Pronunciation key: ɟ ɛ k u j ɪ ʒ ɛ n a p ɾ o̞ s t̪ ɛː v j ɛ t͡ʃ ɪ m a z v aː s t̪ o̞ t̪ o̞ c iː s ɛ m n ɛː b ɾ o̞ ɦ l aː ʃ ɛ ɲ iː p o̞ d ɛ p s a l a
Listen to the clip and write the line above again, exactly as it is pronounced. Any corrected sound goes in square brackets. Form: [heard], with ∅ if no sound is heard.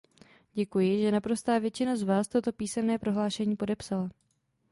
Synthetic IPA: ɟ ɛ k u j ɪ ʒ ɛ n a p ɾ o̞ s t̪ [aː] v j ɛ t͡ʃ ɪ [n] a z v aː s t̪ o̞ t̪ o̞ [p] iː s ɛ m n ɛː [p] ɾ o̞ ɦ l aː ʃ ɛ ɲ iː p o̞ d ɛ p s a l a